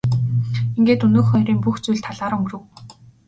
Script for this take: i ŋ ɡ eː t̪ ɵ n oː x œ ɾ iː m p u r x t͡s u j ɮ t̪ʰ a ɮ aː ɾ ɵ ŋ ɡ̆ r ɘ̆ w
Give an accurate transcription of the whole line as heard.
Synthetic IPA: i ŋ ɡ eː t̪ ɵ n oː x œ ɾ iː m p u x t͡s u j ɮ t̪ʰ a ɮ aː ɾ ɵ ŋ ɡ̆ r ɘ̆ w